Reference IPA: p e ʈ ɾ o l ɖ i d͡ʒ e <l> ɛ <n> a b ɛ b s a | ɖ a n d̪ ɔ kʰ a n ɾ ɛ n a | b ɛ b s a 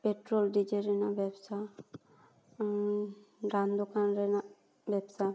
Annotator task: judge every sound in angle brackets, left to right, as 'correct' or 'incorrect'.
incorrect, correct

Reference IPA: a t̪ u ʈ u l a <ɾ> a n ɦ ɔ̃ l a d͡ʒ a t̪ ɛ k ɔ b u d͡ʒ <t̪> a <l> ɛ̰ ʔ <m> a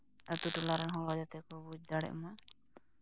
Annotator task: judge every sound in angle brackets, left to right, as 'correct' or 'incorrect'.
correct, incorrect, incorrect, correct

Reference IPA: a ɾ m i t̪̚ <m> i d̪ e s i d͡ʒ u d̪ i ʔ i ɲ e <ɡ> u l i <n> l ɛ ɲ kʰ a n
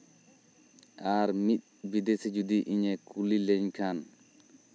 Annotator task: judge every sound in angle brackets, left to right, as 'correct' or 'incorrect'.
incorrect, incorrect, incorrect

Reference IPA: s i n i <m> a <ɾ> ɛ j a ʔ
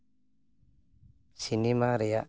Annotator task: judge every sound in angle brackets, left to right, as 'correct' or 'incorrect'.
correct, correct

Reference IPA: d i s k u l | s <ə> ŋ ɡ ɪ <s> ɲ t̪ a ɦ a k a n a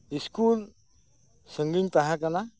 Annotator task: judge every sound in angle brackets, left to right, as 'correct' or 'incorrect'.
correct, incorrect

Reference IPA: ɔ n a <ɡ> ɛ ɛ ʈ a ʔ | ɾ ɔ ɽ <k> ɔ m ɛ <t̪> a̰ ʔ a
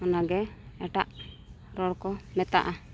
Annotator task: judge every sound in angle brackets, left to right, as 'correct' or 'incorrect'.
correct, correct, correct

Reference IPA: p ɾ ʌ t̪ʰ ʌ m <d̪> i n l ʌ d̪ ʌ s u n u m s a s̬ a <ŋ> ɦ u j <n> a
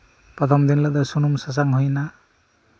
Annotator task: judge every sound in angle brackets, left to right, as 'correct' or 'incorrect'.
correct, correct, correct

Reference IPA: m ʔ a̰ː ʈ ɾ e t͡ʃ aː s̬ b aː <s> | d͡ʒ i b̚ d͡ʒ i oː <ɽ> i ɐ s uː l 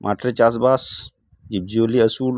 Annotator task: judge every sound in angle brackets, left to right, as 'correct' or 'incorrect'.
correct, incorrect

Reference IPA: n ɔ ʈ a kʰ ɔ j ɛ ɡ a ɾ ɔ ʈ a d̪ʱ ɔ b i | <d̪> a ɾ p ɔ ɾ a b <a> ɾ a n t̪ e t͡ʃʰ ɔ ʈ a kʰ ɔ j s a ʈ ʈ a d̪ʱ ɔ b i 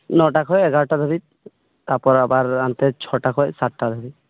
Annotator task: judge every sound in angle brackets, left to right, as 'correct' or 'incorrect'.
incorrect, correct

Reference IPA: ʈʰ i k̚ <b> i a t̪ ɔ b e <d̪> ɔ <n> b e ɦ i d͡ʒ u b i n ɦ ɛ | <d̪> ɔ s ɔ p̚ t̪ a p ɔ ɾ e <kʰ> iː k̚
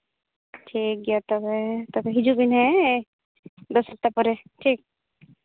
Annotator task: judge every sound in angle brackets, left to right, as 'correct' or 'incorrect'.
incorrect, incorrect, incorrect, correct, incorrect

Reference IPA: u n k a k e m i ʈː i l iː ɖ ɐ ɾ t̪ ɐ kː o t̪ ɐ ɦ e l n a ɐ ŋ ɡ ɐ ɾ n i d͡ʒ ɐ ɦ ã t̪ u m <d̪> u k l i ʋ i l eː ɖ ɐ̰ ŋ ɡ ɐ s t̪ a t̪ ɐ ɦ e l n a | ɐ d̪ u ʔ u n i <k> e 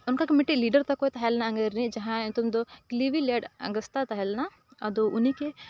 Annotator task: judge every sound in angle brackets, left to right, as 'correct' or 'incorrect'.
correct, correct

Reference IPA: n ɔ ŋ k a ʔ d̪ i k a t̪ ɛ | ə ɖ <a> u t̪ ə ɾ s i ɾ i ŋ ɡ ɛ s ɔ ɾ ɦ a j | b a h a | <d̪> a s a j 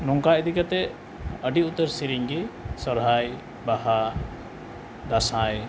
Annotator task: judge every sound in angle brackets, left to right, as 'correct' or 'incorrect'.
incorrect, correct

